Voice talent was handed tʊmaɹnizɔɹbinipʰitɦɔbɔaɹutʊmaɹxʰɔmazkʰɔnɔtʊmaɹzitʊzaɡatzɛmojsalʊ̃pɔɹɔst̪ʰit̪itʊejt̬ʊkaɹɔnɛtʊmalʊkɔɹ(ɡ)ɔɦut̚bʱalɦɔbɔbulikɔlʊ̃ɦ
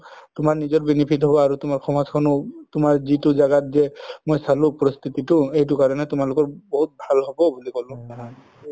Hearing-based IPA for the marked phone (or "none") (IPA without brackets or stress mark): b